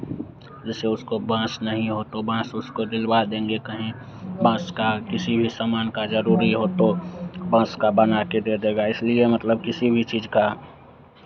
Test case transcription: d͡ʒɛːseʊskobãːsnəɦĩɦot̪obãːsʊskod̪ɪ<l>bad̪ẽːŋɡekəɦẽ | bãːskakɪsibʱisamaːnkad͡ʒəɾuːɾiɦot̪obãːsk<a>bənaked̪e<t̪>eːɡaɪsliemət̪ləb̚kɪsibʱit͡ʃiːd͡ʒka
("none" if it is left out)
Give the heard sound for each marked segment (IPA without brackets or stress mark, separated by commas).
l, a, d̪